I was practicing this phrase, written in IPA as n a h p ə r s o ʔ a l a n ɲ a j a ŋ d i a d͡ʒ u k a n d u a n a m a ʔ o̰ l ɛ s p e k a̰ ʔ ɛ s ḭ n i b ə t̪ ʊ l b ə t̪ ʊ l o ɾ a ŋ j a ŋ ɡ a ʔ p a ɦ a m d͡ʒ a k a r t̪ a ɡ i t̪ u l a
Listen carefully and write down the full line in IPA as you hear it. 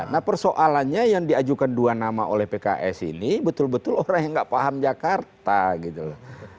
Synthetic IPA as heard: n a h p ə r s o ʔ a l a n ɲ a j a ŋ d i a d͡ʒ u k a n d u a n a m a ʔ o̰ l ɛ h p e k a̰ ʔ ɛ s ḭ n i b ə t̪ ʊ l b ə t̪ ʊ l o ɾ a ŋ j a ŋ ɡ a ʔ p a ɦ a m d͡ʒ a k a r t̪ a ɡ i t̪ u l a